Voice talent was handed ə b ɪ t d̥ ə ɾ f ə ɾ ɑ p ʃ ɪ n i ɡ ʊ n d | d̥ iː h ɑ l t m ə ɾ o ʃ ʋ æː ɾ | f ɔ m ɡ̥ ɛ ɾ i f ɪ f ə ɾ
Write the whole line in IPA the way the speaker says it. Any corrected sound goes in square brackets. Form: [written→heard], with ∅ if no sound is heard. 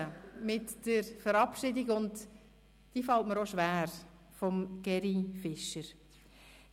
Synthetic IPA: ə [b→m] ɪ t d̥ ə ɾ f ə ɾ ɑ p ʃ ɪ [n→d] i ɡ ʊ n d | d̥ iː [h→f] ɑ l t m ə ɾ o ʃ ʋ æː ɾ | f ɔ m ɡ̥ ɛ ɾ i f ɪ [f→ʃ] ə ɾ

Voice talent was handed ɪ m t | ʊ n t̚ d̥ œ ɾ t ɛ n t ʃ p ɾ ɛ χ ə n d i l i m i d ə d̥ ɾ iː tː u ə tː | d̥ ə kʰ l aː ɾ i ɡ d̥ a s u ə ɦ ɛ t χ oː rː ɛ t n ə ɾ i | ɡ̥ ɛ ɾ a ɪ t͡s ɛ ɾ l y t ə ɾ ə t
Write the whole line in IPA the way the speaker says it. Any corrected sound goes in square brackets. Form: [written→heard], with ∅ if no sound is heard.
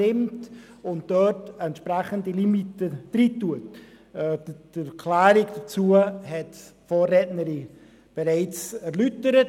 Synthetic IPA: ɪ m t | ʊ n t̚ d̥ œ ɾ t ɛ n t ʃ p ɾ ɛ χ ə n d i l i m i [d→t] ə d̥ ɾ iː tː u ə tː | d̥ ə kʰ l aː ɾ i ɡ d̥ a [s→t͡s] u ə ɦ ɛ t [χ→f] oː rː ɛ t n ə ɾ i | [ɡ̥→b̥] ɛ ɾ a ɪ t͡s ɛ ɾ l y t ə ɾ ə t

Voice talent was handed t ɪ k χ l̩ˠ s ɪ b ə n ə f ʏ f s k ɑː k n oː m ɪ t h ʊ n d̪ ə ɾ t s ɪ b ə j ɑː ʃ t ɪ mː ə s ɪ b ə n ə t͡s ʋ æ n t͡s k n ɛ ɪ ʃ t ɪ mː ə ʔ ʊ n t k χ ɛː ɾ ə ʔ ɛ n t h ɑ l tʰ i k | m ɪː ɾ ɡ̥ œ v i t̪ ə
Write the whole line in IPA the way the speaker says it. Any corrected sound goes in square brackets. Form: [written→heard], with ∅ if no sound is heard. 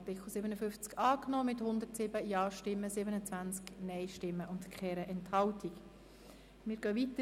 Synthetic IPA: t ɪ k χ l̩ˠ s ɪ b ə n ə f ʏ f [s→t͡s] k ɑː k n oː m ɪ t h ʊ n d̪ ə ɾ t s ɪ b ə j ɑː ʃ t ɪ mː ə s ɪ b ə n ə t͡s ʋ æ n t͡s k n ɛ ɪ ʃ t ɪ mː ə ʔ ʊ n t k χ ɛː ɾ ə ʔ ɛ n t h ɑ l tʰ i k | m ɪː ɾ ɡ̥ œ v i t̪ ə

